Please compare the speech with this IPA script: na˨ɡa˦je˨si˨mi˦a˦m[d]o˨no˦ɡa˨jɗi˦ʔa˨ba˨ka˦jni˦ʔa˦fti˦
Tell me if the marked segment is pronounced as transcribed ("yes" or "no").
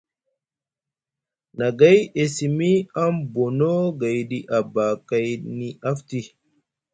no